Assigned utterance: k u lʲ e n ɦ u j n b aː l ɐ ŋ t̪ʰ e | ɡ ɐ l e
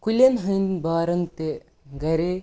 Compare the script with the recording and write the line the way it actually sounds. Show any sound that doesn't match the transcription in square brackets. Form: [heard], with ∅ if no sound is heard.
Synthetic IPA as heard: k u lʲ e n ɦ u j n b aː [ɾ] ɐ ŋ [t̪] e | ɡ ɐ [ɾ] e